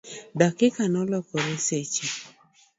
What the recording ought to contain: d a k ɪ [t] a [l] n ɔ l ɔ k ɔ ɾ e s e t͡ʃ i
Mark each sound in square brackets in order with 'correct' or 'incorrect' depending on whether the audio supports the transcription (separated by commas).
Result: incorrect, incorrect